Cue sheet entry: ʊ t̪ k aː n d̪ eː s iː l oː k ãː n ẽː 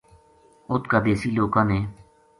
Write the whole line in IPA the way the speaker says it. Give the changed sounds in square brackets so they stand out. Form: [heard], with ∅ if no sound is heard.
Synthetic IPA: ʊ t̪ k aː [∅] d̪ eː s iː l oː k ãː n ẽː